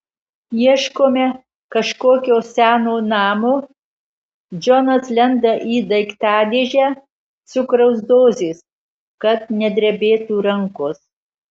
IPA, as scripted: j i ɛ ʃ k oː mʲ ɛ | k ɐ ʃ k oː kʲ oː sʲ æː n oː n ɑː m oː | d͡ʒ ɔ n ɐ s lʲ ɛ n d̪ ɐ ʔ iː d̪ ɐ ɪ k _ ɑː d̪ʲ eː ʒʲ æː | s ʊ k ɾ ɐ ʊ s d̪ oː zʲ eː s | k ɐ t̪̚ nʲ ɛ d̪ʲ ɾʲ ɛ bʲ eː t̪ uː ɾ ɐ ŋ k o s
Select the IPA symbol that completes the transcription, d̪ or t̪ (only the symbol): t̪